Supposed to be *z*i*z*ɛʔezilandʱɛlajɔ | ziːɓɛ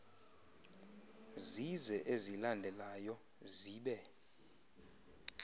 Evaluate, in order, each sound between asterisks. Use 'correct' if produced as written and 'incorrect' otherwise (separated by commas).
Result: correct, correct